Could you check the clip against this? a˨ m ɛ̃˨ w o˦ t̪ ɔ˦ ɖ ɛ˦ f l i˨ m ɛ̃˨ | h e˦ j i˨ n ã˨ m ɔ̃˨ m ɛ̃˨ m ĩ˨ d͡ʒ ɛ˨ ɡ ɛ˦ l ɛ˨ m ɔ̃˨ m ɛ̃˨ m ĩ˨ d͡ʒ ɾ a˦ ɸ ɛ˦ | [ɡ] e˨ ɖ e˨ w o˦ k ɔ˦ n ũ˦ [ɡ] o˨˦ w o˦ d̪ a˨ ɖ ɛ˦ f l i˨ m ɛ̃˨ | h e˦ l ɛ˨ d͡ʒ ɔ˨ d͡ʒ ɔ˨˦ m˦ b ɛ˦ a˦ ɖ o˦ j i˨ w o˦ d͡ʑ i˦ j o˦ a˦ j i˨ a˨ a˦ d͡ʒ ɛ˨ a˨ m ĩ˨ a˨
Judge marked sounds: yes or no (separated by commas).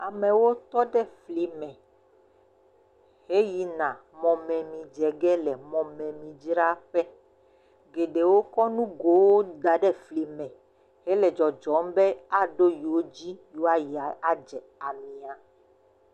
yes, yes